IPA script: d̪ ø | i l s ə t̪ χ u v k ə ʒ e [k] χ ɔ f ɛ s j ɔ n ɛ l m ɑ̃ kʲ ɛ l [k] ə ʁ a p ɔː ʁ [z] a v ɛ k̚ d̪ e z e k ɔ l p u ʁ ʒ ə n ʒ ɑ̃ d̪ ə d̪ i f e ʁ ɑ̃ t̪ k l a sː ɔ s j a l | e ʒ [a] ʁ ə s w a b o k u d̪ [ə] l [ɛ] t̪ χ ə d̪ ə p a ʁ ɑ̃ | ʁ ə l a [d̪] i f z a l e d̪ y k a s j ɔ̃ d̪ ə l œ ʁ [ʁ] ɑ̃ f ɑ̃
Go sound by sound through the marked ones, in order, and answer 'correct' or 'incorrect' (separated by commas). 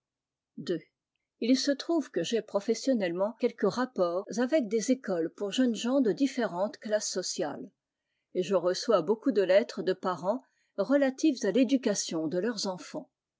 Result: incorrect, correct, correct, incorrect, correct, correct, incorrect, incorrect